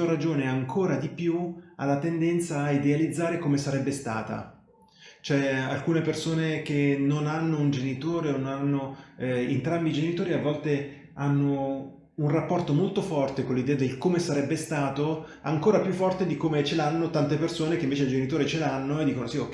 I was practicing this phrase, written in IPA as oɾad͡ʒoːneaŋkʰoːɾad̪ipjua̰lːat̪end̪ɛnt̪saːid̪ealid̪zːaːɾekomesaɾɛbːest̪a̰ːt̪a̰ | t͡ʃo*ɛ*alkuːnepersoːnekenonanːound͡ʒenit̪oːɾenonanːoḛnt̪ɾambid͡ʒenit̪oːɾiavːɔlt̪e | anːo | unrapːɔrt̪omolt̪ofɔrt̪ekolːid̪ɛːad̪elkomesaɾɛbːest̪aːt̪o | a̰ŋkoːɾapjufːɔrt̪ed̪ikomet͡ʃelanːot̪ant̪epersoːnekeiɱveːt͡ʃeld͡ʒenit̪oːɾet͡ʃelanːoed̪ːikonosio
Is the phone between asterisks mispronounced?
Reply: no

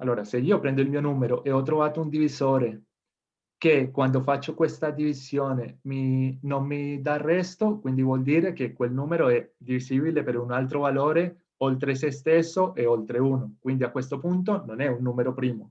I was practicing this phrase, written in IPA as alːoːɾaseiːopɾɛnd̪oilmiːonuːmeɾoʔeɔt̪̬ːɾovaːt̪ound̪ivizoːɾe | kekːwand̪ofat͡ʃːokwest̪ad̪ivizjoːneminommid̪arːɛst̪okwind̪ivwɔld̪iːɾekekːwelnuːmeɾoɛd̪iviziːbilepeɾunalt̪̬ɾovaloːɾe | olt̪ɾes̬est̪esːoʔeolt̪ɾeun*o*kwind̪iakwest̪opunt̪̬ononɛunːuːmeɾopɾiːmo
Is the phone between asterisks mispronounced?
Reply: no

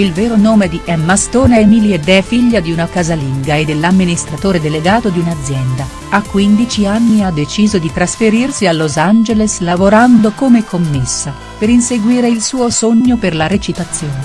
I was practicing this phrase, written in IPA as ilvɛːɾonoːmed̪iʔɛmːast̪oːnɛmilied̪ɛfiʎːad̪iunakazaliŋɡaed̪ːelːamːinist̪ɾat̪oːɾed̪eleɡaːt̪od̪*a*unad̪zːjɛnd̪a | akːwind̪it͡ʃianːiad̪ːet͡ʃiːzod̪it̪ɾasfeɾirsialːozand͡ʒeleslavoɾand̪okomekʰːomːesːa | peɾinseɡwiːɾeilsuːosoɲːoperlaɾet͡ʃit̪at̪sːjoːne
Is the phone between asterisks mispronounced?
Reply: yes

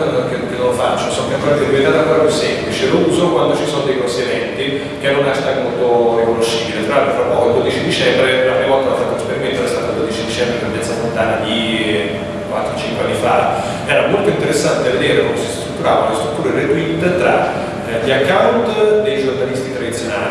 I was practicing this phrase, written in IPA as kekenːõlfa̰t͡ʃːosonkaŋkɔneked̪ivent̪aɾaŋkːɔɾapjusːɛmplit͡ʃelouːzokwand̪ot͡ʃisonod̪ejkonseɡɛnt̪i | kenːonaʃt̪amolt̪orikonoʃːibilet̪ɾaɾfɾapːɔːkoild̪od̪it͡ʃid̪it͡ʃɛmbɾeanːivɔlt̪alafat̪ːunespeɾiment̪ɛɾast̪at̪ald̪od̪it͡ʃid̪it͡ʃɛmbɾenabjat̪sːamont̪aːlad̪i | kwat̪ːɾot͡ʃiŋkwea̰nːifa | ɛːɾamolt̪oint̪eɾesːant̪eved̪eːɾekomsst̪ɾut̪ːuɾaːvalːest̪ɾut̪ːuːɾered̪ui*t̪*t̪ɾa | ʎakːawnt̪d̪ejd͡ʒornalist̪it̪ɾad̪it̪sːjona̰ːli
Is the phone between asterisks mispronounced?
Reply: no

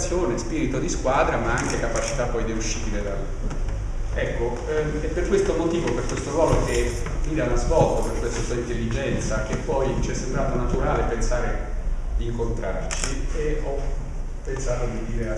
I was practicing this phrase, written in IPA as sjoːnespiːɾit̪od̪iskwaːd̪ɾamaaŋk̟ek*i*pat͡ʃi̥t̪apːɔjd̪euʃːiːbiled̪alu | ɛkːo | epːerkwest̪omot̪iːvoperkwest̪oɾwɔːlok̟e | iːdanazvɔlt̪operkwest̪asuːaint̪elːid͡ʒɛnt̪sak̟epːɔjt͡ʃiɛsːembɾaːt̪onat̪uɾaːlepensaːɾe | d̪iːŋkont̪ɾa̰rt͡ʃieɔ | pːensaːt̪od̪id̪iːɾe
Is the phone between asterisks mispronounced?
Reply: yes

